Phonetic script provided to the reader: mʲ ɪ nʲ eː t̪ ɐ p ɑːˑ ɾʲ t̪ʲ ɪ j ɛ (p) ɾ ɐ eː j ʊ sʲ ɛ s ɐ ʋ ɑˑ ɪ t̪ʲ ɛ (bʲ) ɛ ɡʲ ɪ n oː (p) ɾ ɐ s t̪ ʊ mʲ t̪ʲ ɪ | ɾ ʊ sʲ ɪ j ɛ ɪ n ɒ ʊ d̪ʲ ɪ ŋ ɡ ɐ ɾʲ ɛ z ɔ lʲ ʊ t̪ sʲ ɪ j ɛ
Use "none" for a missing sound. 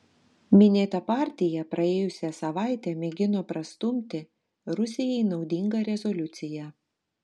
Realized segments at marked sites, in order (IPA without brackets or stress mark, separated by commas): p, mʲ, p